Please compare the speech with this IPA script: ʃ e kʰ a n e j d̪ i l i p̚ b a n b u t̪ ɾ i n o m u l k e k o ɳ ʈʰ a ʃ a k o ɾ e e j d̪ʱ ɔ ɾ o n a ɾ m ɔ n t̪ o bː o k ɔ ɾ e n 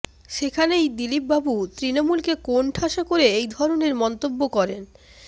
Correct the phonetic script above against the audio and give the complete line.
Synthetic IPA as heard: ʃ e kʰ a n e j d̪ i l i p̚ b a b u t̪ ɾ i n o m u l k e k o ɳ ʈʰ a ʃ a k o ɾ e e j d̪ʱ ɔ ɾ o n e ɾ m ɔ n t̪ o bː o k ɔ ɾ e n